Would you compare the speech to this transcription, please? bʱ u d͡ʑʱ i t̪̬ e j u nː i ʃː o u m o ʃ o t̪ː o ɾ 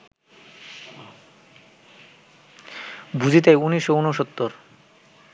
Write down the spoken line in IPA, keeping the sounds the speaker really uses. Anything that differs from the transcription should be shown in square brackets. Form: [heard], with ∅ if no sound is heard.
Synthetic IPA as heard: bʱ u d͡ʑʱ i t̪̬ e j u [n] i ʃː o u [n] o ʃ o t̪ː o ɾ